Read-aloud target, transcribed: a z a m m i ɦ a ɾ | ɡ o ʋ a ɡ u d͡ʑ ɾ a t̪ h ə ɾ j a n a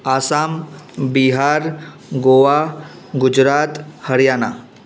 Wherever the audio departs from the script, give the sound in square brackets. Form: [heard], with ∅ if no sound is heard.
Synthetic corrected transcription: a [s] a m [b] i ɦ a ɾ | ɡ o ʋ a ɡ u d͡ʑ ɾ a t̪ h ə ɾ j a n a